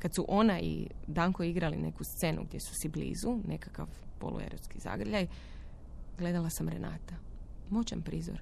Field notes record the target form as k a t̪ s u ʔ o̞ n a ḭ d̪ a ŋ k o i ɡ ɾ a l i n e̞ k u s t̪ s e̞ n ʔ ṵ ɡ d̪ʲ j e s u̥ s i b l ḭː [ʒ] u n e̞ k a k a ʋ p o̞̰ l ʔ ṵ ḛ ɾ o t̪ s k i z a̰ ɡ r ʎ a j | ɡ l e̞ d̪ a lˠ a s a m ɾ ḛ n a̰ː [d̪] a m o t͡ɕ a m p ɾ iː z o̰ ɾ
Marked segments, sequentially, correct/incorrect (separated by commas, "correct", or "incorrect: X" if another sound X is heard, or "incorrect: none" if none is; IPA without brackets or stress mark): incorrect: z, incorrect: t̪